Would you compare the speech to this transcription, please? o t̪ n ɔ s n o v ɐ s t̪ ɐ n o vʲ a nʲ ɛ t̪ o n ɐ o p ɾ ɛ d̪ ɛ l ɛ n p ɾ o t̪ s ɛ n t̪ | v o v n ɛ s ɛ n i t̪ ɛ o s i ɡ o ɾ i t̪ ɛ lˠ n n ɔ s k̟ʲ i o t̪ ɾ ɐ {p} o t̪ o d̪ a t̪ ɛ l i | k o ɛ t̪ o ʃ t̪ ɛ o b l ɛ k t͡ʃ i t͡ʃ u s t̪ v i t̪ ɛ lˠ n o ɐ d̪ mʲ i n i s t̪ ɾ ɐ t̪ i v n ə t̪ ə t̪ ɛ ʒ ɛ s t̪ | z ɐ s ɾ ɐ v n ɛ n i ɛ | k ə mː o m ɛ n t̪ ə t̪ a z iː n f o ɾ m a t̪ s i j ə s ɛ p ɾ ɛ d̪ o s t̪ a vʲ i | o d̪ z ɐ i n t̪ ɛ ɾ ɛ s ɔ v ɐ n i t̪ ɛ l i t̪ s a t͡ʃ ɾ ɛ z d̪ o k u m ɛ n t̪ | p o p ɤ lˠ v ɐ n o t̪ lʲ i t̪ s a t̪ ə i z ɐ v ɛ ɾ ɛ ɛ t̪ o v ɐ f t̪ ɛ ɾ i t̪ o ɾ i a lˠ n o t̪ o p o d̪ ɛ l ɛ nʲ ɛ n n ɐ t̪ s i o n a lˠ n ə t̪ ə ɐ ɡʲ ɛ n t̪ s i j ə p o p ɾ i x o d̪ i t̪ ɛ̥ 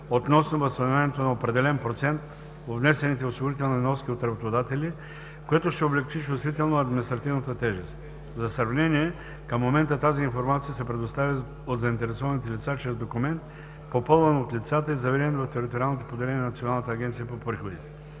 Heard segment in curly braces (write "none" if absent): b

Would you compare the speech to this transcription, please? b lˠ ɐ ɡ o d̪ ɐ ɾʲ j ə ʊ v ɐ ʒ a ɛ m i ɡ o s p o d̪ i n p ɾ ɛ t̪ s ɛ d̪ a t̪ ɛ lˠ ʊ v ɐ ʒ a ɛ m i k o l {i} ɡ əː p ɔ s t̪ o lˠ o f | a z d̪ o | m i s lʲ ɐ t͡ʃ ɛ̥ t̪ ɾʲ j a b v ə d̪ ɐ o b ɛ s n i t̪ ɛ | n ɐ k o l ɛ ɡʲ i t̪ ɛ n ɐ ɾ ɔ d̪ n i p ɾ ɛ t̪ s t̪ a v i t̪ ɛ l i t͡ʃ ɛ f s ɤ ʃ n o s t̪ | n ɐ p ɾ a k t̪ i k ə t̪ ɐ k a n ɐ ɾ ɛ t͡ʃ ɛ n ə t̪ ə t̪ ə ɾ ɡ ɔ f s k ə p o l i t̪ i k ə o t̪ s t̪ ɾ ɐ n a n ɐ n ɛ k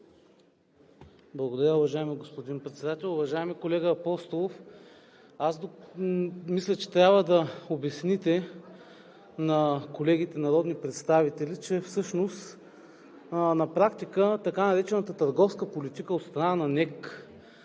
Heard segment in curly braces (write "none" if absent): ɛ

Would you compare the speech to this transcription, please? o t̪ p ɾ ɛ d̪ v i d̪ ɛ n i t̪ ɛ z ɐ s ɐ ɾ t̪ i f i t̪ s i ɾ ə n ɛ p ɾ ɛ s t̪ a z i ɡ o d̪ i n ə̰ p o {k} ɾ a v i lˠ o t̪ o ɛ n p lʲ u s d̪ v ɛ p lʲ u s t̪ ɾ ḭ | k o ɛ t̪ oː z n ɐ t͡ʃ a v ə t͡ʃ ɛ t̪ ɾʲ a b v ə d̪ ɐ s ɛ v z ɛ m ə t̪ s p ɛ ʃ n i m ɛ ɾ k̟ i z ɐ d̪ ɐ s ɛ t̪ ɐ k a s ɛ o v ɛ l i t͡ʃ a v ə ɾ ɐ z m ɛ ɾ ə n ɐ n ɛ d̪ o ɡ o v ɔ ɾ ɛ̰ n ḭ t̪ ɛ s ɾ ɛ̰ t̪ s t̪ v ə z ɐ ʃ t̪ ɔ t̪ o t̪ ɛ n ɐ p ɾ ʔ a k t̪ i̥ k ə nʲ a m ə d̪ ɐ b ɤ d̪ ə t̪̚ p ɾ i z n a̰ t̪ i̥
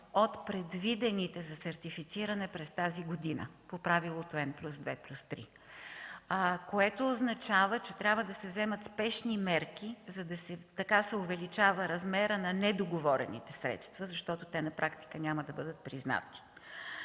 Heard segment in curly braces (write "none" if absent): p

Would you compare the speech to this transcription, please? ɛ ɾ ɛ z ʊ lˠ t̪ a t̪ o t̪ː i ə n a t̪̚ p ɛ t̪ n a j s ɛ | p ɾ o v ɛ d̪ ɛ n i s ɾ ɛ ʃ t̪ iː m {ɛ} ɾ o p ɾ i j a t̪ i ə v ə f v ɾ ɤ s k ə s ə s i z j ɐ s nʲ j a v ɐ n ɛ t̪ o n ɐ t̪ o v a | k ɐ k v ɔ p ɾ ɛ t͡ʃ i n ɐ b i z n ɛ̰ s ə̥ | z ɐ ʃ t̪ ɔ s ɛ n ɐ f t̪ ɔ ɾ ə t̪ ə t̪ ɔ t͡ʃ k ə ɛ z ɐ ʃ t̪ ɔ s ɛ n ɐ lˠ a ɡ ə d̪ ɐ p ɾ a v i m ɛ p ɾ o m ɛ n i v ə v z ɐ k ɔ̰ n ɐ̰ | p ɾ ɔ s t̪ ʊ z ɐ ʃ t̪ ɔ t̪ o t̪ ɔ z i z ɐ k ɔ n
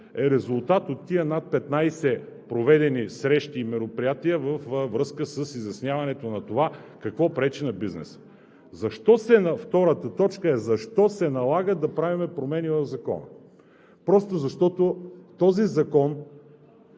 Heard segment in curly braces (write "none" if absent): ɛ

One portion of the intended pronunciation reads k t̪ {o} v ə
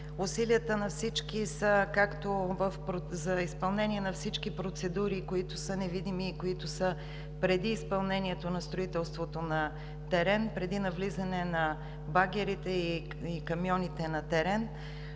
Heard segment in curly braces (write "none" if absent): o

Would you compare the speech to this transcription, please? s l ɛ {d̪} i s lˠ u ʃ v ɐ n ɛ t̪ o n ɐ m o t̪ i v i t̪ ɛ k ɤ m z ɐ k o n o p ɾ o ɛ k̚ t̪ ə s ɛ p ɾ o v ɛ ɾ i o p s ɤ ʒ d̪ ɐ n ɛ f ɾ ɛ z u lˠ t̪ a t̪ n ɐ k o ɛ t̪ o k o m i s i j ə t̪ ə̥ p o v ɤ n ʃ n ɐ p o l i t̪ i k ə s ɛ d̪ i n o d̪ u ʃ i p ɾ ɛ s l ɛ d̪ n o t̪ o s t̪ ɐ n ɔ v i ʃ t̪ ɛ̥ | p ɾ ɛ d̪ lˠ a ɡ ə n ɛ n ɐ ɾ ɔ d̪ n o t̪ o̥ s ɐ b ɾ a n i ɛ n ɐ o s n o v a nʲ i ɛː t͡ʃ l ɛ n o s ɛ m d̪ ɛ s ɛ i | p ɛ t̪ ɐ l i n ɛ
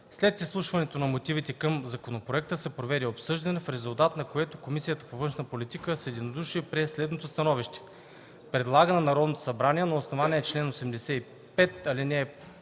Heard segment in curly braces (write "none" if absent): t̪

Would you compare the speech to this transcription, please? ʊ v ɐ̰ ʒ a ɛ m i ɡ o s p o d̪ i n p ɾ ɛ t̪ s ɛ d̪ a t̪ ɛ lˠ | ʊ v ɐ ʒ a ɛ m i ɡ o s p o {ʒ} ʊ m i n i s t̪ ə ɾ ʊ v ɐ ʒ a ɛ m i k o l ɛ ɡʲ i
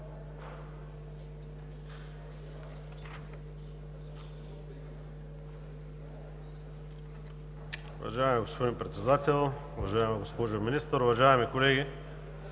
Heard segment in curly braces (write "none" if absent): ʒ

